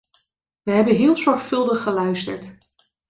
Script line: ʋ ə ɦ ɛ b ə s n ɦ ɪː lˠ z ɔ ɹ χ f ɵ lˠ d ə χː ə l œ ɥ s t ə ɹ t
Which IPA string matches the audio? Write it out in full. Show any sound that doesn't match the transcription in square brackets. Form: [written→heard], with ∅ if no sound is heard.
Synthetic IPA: ʋ ə ɦ ɛ b ə [s→∅] n ɦ ɪː lˠ z ɔ ɹ χ f ɵ lˠ d ə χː ə l œ ɥ s t ə ɹ t